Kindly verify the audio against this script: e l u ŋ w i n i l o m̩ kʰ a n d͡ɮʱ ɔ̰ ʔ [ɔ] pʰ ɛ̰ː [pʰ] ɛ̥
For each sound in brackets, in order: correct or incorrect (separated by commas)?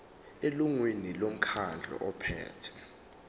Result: correct, incorrect